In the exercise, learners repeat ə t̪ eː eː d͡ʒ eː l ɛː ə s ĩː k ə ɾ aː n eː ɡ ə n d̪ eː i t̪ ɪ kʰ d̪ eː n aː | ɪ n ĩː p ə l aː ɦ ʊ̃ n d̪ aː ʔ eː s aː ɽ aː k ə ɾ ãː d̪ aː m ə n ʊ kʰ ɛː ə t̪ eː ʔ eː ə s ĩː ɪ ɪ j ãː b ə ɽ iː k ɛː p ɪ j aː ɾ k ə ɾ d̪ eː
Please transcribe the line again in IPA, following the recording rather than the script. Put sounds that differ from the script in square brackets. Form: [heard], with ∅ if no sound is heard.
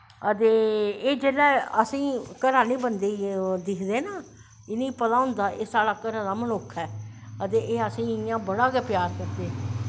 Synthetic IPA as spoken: ə t̪ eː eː d͡ʒ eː l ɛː ə s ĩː k ə ɾ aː n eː [b] ə n d̪ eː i [d̪] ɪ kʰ d̪ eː n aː | ɪ n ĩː p ə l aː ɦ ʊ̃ n d̪ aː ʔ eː s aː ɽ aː k ə ɾ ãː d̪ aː m ə n ʊ kʰ ɛː ə t̪ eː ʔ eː ə s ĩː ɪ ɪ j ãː b ə ɽ [aː] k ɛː p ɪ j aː ɾ k ə ɾ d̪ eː